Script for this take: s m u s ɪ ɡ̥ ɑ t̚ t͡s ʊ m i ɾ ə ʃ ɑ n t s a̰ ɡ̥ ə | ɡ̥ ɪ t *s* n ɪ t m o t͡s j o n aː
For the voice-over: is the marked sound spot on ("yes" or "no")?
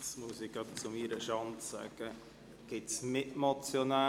yes